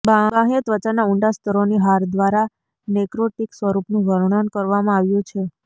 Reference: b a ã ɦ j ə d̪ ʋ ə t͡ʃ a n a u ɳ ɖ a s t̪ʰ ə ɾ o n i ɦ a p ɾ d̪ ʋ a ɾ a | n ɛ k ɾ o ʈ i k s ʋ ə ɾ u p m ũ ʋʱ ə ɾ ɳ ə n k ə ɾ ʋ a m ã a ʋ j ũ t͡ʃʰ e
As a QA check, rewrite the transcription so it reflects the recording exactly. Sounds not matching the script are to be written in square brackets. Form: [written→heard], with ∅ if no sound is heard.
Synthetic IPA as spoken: b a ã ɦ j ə [d̪→t̪] ʋ ə t͡ʃ a n a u ɳ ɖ a s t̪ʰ ə ɾ o n i ɦ a [p→∅] ɾ d̪ ʋ a ɾ a | n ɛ k ɾ o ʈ i k s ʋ ə ɾ u p [m→n] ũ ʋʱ ə ɾ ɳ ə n k ə ɾ ʋ a m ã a ʋ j ũ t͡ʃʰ e

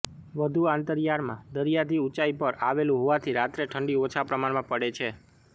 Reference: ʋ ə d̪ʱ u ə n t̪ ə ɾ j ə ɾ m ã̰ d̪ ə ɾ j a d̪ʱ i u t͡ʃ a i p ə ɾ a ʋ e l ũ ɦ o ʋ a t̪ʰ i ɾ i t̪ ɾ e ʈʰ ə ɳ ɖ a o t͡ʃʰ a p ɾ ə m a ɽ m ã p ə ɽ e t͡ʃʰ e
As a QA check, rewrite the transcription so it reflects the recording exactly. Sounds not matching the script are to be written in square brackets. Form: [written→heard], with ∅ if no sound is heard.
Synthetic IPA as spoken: ʋ ə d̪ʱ u [ə→a] n t̪ ə ɾ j [ə→a] ɾ m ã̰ d̪ ə ɾ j a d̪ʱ i u t͡ʃ a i p ə ɾ a ʋ e l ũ ɦ o ʋ a t̪ʰ i ɾ [i→a] t̪ ɾ e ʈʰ ə ɳ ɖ [a→i] o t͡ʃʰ a p ɾ ə m a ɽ m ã p ə ɽ e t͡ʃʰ e

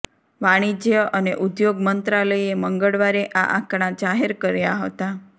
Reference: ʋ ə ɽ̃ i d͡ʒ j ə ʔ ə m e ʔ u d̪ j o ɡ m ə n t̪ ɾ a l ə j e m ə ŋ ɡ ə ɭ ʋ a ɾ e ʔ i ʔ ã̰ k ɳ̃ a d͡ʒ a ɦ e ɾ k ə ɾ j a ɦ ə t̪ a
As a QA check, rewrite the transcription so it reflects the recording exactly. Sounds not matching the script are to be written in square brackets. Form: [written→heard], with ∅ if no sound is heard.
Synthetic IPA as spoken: ʋ [ə→a] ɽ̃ i d͡ʒ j ə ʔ ə [m→n] e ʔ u d̪ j o ɡ m ə n t̪ ɾ a l ə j e m ə ŋ ɡ ə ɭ ʋ a ɾ e ʔ [i→a] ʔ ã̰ k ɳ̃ a d͡ʒ a ɦ e ɾ k ə ɾ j a ɦ ə t̪ a

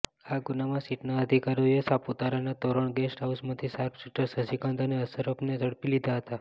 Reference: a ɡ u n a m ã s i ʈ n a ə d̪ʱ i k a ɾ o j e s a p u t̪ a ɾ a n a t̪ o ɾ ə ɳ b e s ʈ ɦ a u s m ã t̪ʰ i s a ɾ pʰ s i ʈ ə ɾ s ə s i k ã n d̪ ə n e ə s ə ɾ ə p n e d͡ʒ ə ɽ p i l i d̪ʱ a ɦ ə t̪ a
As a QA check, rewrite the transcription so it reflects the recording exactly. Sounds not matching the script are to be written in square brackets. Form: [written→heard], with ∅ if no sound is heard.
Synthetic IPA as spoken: a ɡ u n a m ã s i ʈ n a ə d̪ʱ i k a ɾ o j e s a p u t̪ a ɾ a n a t̪ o ɾ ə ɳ [b→ɡ] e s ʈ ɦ a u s m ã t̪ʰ i s a ɾ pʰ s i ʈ ə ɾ s ə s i k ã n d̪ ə n e ə s ə ɾ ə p n e d͡ʒ ə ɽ p i l i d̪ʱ a ɦ ə t̪ a

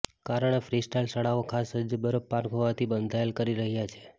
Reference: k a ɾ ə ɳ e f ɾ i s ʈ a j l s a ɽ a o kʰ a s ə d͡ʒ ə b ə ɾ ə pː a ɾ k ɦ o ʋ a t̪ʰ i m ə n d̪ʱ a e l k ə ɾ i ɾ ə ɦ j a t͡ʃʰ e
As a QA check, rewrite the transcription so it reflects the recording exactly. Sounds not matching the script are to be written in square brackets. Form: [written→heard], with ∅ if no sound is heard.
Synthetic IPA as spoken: k a ɾ ə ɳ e f ɾ i s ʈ a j l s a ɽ a o kʰ a s ə d͡ʒ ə b ə ɾ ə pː a ɾ k ɦ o ʋ a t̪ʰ i [m→b] ə n d̪ʱ a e l k ə ɾ i ɾ ə ɦ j a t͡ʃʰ e

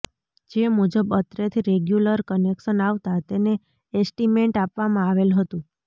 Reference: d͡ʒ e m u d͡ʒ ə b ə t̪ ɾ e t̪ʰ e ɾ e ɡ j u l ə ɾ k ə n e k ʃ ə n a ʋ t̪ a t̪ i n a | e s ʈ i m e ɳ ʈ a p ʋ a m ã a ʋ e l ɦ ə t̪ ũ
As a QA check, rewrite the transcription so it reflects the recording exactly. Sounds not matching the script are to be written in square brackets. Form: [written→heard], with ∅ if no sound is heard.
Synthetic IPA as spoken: d͡ʒ e m u d͡ʒ ə b ə t̪ ɾ e t̪ʰ [e→i] ɾ e ɡ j u l ə ɾ k ə n e k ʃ ə n a ʋ t̪ a t̪ [i→e] n [a→e] | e s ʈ i m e ɳ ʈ a p ʋ a m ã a ʋ e l ɦ ə t̪ ũ

